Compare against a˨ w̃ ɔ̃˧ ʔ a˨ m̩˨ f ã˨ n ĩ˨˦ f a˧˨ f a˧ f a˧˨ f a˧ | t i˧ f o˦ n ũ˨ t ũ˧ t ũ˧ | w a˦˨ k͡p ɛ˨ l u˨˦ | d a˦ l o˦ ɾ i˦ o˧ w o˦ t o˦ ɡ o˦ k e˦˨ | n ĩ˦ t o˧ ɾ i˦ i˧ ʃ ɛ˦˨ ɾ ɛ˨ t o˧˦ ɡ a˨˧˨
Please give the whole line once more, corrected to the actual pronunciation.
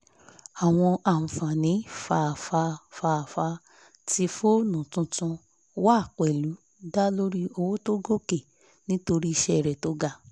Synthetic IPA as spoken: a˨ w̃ ɔ̃˧ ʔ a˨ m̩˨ f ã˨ n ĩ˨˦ f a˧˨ f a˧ f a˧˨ f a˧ | t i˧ f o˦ n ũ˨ t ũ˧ t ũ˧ | w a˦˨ k͡p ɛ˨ l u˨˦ | d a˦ l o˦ ɾ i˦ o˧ w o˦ t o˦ ɡ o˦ k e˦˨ | n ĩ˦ t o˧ ɾ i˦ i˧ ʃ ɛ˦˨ ɾ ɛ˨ t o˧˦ ɡ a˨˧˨

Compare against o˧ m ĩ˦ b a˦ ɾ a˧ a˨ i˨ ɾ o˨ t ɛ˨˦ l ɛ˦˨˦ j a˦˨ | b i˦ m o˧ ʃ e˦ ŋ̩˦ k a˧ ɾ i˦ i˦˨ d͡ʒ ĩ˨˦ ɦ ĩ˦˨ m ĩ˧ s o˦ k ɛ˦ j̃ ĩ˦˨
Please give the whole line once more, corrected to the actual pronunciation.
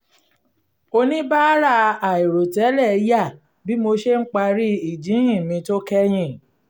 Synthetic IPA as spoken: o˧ n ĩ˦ b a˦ ɾ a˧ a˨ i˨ ɾ o˨ t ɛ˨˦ l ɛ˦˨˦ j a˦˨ | b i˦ m o˧ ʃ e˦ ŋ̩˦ k͡p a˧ ɾ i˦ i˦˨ d͡ʒ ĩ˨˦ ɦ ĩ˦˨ m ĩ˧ t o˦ k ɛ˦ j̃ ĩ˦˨

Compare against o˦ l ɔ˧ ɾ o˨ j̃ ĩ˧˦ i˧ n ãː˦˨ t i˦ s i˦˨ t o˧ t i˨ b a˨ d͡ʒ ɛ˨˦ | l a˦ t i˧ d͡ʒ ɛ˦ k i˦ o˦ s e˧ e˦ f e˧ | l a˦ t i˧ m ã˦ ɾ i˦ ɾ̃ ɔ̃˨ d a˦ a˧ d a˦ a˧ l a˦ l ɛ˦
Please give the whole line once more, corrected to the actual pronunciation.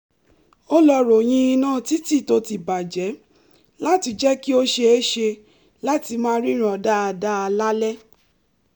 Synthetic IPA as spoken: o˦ l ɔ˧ ɾ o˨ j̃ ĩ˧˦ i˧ n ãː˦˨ t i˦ t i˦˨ t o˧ t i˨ b a˨ d͡ʒ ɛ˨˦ | l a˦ t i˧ d͡ʒ ɛ˦ k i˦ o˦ ʃ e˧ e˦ ʃ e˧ | l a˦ t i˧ m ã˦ ɾ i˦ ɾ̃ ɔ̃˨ d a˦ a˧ d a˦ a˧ l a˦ l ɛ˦

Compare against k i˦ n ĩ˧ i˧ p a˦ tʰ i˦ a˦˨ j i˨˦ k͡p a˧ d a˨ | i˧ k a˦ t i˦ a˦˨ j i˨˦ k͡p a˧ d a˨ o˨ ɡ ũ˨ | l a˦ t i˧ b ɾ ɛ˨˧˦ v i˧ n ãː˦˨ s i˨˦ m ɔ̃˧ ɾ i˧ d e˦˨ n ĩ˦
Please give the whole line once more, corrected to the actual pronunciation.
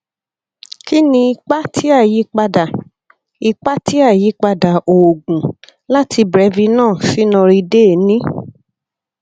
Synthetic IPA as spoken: k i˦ n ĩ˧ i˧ k͡p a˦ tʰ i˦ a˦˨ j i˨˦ k͡p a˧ d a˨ | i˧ k͡p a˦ t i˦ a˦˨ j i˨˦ k͡p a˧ d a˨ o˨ ɡ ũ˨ | l a˦ t i˧ b ɾ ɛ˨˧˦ v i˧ n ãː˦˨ s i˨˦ n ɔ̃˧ ɾ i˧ d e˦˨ n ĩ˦

